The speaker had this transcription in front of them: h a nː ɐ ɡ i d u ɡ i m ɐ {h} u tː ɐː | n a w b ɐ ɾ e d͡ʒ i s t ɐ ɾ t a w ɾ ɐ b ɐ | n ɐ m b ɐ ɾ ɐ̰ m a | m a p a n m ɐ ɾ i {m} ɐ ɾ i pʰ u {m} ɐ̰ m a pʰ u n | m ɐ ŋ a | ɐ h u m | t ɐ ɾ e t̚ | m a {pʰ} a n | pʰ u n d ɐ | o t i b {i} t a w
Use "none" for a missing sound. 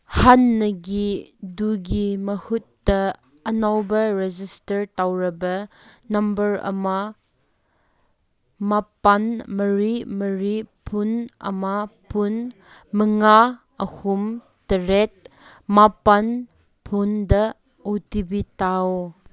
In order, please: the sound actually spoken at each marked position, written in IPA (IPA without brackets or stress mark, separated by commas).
h, m, n, p, i